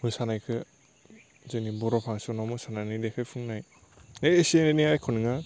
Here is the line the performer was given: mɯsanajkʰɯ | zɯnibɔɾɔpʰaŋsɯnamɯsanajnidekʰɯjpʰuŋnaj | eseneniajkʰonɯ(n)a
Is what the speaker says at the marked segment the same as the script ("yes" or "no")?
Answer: no